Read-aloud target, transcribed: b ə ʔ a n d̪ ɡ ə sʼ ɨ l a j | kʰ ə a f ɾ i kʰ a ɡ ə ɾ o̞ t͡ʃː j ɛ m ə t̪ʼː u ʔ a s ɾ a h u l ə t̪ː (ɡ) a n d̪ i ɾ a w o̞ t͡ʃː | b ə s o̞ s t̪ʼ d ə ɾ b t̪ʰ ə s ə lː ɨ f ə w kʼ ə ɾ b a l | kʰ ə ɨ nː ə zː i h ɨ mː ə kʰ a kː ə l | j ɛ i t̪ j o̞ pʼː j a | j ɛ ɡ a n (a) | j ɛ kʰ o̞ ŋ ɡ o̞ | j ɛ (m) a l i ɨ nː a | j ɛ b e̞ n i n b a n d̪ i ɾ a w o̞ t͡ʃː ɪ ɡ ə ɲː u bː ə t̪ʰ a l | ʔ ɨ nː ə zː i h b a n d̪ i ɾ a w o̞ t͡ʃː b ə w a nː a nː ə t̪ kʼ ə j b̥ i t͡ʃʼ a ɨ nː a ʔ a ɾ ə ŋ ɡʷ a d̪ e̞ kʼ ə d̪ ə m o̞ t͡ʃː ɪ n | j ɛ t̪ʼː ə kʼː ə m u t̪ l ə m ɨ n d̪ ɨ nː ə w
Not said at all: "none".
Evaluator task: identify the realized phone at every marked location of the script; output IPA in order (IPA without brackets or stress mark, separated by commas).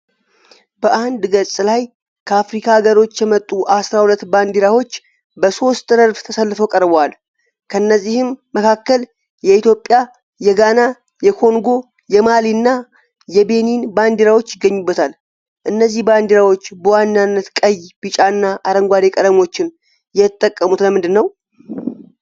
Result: b, a, m